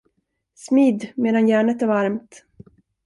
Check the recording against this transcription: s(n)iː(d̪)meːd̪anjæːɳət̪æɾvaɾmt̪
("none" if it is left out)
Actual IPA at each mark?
m, d̪

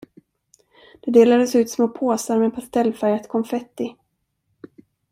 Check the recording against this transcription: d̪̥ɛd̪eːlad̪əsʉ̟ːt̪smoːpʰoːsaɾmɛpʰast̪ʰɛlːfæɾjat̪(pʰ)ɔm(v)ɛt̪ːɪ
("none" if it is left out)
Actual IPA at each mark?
kʰ, f

